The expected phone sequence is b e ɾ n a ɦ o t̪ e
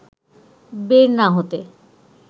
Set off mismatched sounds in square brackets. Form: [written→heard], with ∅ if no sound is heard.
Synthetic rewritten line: b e ɾ n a ɦ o t̪ e